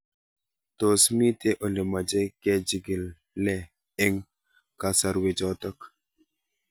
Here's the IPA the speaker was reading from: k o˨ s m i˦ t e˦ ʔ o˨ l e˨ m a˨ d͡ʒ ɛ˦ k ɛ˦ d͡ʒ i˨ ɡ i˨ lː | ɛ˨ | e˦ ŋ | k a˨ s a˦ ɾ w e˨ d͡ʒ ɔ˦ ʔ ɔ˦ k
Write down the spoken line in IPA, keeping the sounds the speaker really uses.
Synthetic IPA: t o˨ s m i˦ t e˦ ʔ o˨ l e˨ m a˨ d͡ʒ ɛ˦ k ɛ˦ d͡ʒ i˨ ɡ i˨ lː | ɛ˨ | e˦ ŋ | k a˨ s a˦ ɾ w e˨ d͡ʒ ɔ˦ t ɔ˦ k